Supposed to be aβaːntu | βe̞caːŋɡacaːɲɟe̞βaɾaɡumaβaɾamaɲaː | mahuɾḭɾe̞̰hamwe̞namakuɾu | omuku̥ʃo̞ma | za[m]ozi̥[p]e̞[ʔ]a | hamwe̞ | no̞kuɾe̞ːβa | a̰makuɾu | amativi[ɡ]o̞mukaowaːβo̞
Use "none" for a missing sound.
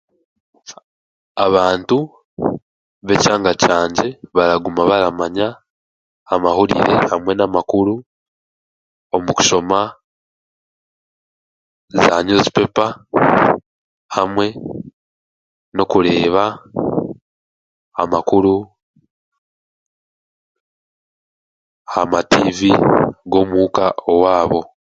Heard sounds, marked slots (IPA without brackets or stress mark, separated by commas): ɲ, p, p, ɡ